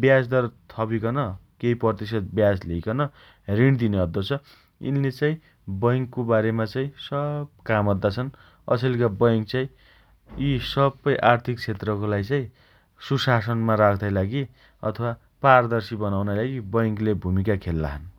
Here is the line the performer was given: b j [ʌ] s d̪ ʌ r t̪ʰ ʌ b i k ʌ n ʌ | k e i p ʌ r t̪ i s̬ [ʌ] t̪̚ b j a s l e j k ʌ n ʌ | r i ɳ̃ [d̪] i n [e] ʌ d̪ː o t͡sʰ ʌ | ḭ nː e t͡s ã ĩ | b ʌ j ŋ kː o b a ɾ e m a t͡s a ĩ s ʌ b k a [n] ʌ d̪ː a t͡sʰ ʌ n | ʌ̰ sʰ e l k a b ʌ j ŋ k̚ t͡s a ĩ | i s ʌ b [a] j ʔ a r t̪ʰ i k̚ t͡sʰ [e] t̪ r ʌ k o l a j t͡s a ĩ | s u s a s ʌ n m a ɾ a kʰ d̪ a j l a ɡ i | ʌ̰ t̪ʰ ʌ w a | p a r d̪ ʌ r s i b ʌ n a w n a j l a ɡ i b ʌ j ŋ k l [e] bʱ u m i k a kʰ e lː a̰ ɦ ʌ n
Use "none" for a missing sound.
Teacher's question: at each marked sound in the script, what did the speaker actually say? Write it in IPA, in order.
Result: a, ʌ, d̪, e, m, ʌ, e, e

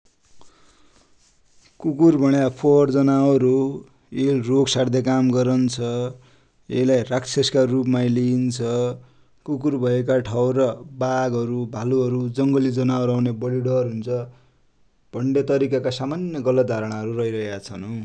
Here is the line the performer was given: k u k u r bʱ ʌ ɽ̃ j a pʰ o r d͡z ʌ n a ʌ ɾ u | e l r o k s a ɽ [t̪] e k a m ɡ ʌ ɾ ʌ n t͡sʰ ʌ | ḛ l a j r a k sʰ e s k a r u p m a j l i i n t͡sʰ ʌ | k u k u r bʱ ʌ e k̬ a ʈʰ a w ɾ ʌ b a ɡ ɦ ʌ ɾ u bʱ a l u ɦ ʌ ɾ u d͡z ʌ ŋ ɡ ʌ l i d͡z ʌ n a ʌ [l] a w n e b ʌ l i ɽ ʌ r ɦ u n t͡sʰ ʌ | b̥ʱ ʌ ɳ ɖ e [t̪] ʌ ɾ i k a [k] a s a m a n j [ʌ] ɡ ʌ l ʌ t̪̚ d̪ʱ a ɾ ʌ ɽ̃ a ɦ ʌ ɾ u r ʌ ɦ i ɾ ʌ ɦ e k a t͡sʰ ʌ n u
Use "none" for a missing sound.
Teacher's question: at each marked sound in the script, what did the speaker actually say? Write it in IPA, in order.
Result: d̪, ɾ, t̪, k, ʌ

